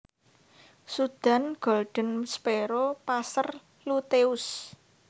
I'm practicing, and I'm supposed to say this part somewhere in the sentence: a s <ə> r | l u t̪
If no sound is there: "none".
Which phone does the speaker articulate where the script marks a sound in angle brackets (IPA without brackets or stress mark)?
ə